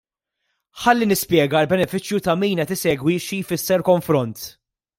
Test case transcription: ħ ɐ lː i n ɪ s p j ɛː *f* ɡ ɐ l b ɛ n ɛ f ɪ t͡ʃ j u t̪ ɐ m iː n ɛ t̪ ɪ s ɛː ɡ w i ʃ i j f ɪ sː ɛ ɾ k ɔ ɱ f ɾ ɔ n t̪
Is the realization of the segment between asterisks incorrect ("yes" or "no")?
yes